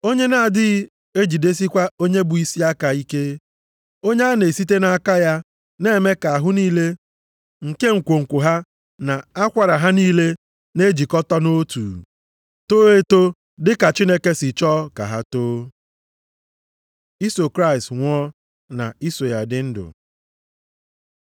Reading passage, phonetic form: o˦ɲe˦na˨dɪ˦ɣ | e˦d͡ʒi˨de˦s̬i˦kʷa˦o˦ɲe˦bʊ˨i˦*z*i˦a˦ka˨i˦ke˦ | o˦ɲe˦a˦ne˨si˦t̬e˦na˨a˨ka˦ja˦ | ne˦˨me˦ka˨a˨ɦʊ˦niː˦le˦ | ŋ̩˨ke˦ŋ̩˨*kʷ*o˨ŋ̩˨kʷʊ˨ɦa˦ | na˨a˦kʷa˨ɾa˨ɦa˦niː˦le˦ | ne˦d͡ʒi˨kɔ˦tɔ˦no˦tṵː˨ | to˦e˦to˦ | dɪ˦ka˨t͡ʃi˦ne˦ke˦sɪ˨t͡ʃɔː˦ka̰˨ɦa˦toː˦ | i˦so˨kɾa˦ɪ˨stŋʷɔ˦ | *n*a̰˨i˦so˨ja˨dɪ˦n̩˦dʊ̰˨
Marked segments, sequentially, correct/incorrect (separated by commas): incorrect, correct, correct